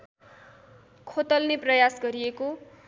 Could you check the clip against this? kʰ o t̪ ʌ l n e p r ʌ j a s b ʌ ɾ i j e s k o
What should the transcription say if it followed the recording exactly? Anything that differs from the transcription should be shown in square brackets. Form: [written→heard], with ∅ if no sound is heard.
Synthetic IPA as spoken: kʰ o t̪ ʌ l n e p r ʌ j a s [b→ɡ] ʌ ɾ i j e [s→∅] k o